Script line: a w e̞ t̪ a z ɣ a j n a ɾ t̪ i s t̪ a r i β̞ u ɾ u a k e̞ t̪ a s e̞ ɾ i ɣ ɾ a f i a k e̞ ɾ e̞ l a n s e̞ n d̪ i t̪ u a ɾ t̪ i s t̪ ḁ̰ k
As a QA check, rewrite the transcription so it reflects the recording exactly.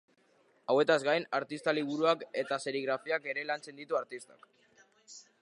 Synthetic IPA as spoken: a w e̞ t̪ a z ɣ a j n a ɾ t̪ i s t̪ a l i β̞ u ɾ u a k e̞ t̪ a s e̞ ɾ i ɣ ɾ a f i a k e̞ ɾ e̞ l a n t͡s e̞ n d̪ i t̪ u a ɾ t̪ i s t̪ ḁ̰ k